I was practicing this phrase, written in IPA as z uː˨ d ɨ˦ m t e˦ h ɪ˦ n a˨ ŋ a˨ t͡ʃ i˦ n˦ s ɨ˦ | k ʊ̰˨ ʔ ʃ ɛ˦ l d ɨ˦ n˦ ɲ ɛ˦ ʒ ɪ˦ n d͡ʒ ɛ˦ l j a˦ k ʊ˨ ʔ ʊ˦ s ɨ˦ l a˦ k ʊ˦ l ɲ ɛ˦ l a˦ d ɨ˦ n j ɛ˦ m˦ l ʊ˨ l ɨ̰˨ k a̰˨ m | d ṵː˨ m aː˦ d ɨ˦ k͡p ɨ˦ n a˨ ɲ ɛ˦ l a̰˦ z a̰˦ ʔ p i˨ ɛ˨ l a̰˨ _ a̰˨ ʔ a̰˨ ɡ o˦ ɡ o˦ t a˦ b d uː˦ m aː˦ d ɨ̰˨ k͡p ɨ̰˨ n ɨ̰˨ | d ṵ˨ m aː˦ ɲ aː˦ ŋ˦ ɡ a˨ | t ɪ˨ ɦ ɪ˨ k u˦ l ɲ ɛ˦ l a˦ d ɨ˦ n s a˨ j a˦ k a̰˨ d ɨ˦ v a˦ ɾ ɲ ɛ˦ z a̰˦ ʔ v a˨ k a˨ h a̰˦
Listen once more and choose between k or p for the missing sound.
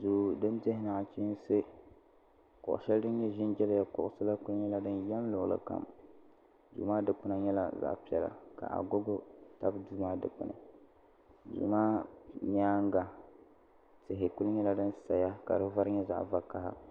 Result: k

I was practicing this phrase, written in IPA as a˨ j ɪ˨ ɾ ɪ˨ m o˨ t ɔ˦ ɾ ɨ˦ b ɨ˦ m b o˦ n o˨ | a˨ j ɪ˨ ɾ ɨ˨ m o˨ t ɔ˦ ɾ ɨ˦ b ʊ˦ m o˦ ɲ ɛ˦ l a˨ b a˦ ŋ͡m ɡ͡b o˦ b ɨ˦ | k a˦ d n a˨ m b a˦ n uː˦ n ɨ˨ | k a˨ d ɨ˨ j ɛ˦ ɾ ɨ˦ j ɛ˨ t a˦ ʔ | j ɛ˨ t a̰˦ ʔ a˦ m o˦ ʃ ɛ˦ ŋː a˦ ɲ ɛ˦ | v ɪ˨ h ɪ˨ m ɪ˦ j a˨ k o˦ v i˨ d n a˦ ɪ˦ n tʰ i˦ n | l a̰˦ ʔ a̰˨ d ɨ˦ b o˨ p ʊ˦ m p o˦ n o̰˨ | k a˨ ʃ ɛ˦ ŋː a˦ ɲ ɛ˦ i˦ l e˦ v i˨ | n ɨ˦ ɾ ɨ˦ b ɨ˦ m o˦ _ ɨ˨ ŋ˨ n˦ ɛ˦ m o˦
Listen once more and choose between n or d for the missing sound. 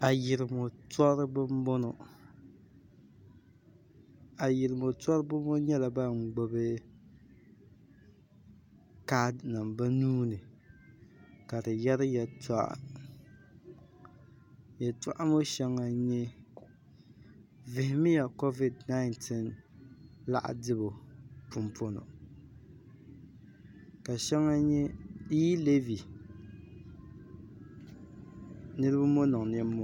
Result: n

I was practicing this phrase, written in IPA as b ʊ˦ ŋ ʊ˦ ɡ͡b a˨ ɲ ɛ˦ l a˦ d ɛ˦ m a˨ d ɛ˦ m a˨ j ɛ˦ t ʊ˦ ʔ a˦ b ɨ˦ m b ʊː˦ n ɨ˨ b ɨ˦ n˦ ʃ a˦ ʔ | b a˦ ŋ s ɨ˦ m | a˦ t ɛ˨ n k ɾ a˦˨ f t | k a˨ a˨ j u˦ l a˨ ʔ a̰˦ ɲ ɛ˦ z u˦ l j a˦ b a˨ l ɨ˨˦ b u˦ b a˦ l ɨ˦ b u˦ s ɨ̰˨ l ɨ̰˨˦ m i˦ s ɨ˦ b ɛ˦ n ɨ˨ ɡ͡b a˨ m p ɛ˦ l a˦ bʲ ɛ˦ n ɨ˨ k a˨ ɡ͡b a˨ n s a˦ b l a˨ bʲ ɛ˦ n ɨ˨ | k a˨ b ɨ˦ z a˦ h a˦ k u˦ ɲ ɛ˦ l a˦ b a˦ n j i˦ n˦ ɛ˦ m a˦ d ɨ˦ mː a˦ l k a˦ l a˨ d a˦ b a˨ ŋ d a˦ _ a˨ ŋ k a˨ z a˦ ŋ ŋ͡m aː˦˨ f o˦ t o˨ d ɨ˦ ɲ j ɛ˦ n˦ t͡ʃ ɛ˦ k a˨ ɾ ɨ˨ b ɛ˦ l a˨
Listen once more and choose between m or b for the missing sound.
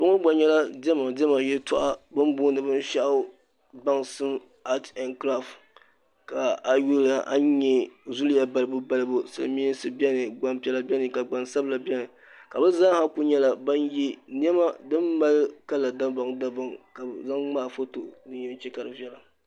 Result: b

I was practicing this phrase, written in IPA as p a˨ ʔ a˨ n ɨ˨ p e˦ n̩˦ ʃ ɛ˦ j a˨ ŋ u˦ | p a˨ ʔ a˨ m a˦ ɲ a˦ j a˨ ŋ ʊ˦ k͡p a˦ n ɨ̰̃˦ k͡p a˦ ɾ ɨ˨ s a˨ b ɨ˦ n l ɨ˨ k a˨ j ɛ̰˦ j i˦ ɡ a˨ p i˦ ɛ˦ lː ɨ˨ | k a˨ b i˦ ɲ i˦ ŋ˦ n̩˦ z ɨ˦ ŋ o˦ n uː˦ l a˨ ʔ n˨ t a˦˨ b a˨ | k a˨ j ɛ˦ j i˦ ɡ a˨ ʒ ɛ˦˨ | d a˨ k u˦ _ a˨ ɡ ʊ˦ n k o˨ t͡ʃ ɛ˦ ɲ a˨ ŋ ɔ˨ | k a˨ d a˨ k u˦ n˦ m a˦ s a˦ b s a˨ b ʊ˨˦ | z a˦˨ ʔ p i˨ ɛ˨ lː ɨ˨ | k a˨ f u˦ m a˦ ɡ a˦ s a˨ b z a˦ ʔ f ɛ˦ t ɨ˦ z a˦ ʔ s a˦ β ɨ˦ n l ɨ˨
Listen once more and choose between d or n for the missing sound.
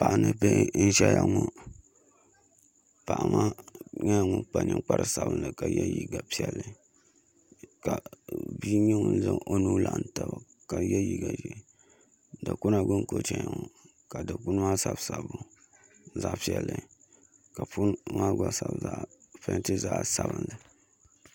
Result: n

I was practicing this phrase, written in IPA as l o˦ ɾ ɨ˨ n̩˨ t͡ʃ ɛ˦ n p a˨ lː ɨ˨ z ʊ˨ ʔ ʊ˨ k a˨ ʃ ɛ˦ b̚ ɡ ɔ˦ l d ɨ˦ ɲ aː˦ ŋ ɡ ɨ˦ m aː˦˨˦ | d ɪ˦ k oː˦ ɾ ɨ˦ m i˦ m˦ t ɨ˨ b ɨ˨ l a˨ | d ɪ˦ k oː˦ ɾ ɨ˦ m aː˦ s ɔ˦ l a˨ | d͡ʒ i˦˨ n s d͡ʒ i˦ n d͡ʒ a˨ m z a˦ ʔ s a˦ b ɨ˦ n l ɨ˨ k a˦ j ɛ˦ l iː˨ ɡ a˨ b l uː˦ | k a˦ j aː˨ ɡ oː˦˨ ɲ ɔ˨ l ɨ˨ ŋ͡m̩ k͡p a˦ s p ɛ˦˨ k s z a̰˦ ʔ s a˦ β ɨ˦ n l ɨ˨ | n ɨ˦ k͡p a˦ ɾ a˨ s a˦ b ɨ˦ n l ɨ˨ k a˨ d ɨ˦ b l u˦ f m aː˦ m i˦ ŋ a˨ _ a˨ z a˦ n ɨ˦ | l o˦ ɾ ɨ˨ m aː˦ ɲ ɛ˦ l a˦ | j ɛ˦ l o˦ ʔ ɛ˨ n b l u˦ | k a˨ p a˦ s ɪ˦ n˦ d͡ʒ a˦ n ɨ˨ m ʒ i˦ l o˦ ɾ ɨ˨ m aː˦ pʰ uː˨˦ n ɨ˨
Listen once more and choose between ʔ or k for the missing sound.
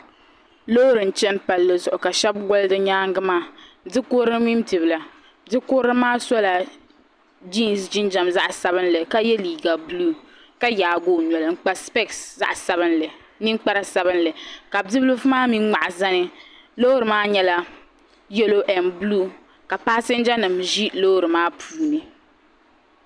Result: ʔ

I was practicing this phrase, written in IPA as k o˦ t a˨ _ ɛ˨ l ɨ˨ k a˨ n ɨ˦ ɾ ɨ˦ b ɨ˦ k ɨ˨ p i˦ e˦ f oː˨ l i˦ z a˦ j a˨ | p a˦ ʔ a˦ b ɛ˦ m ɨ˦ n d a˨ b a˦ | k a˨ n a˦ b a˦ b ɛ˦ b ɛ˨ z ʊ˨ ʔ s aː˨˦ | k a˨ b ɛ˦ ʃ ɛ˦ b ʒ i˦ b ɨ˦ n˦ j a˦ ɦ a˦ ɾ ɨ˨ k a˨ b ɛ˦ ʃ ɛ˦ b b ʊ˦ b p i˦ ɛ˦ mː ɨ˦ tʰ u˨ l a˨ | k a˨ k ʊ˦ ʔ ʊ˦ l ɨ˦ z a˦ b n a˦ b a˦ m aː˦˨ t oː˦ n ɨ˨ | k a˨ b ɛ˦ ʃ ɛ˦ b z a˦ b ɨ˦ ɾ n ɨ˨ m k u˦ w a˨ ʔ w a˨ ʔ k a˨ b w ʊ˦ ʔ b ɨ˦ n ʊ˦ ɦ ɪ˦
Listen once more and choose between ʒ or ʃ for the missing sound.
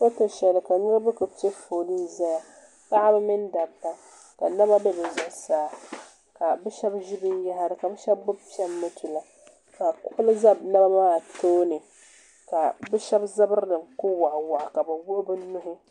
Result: ʃ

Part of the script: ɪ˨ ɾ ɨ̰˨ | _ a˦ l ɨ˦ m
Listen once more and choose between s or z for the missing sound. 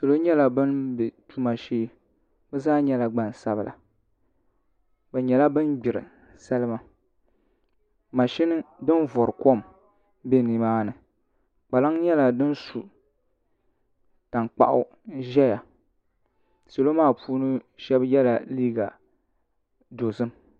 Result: s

